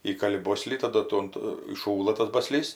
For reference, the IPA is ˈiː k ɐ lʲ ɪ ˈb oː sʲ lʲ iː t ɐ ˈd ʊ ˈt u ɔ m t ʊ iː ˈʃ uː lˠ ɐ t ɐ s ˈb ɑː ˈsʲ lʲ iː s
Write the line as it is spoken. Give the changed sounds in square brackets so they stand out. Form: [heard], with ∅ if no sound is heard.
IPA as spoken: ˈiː k ɐ lʲ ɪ ˈb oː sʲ lʲ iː t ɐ ˈd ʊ ˈt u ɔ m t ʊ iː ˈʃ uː lˠ ɐ t ɐ s ˈb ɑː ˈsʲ lʲ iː s